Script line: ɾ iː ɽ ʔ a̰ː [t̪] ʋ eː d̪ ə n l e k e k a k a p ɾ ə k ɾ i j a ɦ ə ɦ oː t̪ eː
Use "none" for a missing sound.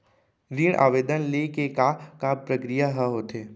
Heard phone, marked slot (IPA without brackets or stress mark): none